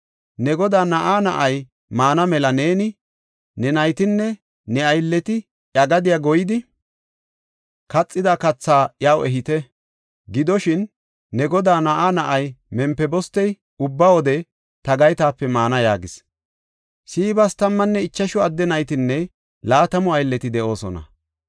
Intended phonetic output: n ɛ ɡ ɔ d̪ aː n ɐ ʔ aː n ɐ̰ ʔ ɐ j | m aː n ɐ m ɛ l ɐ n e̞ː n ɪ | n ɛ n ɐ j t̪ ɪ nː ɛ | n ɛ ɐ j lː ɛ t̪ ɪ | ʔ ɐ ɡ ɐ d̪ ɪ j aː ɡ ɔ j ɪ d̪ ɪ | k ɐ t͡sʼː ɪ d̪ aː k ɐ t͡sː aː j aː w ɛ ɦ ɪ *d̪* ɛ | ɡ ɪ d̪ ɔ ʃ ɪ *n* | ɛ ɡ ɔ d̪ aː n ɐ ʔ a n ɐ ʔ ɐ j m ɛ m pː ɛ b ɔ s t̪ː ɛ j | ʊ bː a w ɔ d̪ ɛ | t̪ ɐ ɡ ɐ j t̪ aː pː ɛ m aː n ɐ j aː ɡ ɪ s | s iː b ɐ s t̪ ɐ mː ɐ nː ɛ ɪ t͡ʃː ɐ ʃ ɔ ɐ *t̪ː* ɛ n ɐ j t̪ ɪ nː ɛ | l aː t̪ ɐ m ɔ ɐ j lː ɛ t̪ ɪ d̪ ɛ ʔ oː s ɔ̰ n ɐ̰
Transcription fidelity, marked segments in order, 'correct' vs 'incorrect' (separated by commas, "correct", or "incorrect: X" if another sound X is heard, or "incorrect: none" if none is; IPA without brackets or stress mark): incorrect: t̪, incorrect: nː, incorrect: d̪ː